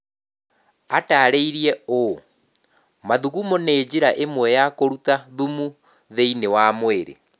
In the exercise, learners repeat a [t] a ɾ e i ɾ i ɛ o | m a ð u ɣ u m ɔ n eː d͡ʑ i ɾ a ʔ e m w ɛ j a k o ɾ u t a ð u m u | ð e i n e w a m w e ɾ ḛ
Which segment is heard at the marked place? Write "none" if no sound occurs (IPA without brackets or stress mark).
t